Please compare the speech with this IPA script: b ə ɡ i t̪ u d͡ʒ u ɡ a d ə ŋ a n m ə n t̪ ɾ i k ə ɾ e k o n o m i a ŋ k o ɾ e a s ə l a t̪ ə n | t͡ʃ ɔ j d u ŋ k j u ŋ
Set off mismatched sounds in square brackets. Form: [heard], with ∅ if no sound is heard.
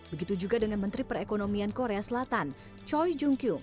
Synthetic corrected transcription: b ə ɡ i t̪ u d͡ʒ u ɡ a d ə ŋ a n m ə n t̪ ɾ i [p] ə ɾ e k o n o m i a [n] k o ɾ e a s ə l a t̪ [a] n | t͡ʃ ɔ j [d͡ʒ] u ŋ k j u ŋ